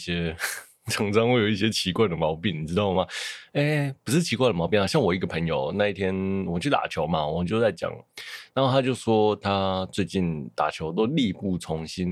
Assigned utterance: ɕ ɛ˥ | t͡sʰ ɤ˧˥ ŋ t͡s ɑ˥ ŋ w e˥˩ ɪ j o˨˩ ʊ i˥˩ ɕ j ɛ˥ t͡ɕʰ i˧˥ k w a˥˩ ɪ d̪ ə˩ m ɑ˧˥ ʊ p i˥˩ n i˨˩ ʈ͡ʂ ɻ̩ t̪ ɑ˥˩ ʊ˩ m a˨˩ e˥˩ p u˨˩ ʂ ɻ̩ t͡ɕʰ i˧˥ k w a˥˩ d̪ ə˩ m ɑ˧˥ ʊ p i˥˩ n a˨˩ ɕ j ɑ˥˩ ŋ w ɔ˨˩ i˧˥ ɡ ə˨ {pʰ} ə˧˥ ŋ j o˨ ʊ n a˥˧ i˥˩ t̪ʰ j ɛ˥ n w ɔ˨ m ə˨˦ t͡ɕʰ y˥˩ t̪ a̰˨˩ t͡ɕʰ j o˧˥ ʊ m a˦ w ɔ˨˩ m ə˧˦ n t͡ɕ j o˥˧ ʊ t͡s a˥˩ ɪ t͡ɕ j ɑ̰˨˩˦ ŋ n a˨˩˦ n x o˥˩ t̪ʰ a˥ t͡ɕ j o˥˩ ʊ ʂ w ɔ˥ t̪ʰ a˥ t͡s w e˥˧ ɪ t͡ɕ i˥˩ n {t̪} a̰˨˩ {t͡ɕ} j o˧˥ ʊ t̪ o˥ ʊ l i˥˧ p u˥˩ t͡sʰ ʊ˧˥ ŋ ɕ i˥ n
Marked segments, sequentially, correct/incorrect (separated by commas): correct, correct, incorrect